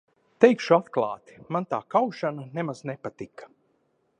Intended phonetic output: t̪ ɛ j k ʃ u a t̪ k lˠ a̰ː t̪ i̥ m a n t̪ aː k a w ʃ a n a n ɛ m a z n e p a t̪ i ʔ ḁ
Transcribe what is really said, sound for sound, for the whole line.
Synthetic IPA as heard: t̪ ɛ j k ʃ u a t̪ k lˠ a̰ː t̪ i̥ m a n t̪ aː k a w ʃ a n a n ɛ m a z n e p a t̪ i k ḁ